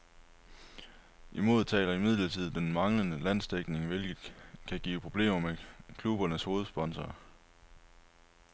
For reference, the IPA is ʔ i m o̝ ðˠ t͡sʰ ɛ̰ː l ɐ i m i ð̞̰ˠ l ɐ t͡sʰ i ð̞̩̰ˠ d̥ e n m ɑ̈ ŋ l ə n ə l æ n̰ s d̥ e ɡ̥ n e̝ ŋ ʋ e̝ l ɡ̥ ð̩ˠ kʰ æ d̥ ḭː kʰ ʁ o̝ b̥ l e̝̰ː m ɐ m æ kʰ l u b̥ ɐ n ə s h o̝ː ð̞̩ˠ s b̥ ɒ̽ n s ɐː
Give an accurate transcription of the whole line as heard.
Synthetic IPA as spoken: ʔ i m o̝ ðˠ t͡sʰ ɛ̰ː l ɐ i m i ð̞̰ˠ l ɐ t͡sʰ i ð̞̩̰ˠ d̥ e n m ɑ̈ ŋ l ə n ə l æ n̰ s d̥ e ɡ̥ n e̝ ŋ ʋ e̝ l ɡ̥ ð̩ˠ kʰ æ ɡ̥ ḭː pʰ ʁ o̝ b̥ l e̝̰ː m ɐ m e kʰ l u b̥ ɐ n ə s h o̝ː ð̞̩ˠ s b̥ ɒ̽ n s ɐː